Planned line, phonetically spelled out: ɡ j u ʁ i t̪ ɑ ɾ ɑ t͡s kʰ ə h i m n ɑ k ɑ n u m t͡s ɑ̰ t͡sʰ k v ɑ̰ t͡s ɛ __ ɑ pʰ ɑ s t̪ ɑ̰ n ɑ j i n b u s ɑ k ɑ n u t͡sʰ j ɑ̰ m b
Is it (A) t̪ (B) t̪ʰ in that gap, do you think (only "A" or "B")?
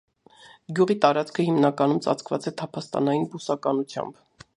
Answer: B